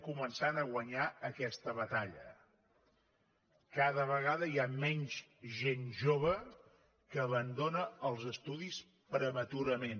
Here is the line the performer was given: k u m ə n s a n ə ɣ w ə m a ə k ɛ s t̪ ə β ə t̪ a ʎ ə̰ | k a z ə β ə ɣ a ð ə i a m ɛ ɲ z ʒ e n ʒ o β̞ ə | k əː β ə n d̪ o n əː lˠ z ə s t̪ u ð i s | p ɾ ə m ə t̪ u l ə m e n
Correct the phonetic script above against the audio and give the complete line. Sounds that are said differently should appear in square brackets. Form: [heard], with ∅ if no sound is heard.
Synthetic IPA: k u m ə n s a n ə ɣ w ə [ɲ] a ə k ɛ s t̪ ə β ə t̪ a ʎ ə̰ | k a [ð] ə β ə ɣ a ð ə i a m ɛ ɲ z ʒ e n ʒ o β̞ ə | k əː β ə n d̪ o n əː lˠ z ə s t̪ u ð i s | p ɾ ə m ə t̪ u [ɾ] ə m e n